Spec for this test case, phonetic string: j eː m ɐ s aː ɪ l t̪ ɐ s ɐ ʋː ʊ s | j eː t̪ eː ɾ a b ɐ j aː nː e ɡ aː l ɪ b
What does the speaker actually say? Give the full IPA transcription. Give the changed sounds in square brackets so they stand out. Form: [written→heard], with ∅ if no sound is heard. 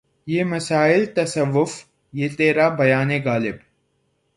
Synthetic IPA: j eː m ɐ s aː ɪ l t̪ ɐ s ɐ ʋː ʊ [s→f] | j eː t̪ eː ɾ a b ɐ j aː [nː→n] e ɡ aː l ɪ b